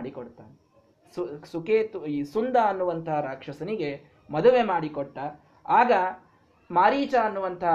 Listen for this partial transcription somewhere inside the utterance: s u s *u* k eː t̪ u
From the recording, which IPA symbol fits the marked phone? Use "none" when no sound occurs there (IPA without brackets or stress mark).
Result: u